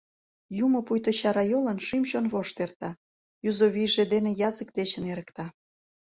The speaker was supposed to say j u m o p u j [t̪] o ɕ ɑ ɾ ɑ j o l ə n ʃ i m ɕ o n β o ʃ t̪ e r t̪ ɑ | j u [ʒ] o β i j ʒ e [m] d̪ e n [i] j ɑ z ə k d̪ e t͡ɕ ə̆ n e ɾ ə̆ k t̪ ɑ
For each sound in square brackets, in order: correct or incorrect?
correct, incorrect: z, incorrect: none, incorrect: e

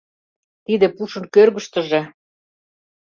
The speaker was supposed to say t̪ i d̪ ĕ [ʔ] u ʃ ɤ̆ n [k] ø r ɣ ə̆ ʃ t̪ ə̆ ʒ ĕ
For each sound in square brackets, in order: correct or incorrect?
incorrect: p, correct

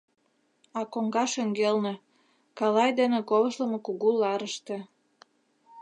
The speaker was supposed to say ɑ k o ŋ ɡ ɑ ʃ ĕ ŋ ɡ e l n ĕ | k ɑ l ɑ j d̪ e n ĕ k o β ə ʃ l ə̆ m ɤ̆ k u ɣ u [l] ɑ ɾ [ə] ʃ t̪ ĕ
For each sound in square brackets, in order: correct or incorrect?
correct, correct

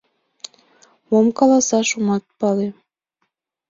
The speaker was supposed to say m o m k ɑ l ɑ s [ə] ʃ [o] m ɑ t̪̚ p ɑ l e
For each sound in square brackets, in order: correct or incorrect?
incorrect: ɑ, incorrect: u

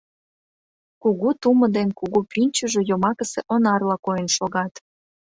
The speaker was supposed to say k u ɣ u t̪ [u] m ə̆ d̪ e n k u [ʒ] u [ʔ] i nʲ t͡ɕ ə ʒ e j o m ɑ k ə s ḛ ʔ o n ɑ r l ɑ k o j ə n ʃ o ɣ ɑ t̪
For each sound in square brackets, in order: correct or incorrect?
correct, incorrect: ɣ, incorrect: p

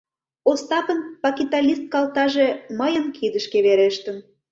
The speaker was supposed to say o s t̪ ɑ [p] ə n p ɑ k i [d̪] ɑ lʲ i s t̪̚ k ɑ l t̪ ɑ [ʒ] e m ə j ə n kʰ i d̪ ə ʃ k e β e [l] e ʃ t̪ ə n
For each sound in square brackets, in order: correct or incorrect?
correct, incorrect: t̪, correct, incorrect: ɾ

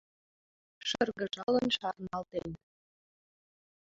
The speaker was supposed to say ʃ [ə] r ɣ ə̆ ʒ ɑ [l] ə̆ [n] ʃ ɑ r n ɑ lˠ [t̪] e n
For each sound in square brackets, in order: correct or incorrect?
correct, correct, correct, correct

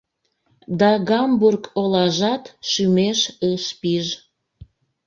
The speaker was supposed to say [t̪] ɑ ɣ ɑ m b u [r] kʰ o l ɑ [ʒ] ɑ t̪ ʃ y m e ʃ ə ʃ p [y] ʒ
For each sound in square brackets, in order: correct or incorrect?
incorrect: d̪, correct, correct, incorrect: i

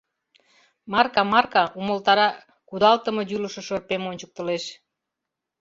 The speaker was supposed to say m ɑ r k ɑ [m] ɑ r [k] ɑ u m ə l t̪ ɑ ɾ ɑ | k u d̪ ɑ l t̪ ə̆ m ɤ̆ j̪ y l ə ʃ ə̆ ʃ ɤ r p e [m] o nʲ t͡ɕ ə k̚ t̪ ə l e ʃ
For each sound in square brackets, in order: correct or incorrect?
correct, correct, correct

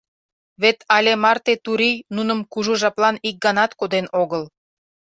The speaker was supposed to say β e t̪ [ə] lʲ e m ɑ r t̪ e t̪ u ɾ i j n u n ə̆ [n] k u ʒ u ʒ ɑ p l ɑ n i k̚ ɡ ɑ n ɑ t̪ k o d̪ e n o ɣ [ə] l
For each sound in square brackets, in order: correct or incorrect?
incorrect: ɑ, incorrect: m, correct

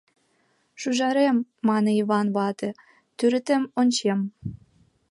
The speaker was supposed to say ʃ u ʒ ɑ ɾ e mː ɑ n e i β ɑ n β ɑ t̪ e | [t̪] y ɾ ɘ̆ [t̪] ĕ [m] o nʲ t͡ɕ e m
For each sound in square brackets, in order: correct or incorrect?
correct, correct, correct

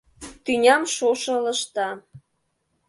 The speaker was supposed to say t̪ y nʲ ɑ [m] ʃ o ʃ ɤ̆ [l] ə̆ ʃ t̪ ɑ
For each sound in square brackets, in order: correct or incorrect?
correct, correct

